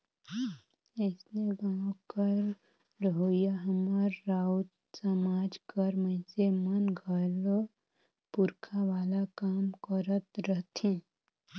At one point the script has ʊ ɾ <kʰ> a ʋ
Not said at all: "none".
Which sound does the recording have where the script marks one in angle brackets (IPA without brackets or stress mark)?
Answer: kʰ